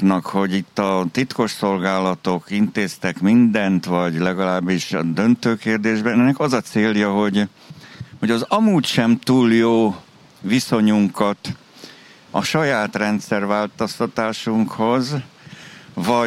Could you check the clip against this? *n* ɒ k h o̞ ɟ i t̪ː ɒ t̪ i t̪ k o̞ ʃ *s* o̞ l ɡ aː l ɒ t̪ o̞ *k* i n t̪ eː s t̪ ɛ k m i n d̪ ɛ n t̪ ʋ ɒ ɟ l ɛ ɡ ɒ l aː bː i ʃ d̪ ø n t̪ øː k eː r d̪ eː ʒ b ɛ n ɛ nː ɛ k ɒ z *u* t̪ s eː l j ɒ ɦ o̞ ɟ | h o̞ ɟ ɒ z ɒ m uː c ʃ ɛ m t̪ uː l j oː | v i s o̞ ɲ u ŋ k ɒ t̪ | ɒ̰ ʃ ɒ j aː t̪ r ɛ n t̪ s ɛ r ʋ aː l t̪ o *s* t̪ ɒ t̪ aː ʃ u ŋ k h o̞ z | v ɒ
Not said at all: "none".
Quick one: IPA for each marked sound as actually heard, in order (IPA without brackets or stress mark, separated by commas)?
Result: n, s, k, ɒ, s